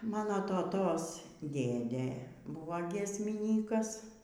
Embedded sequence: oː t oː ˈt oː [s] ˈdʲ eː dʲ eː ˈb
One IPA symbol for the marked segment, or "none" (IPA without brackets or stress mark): s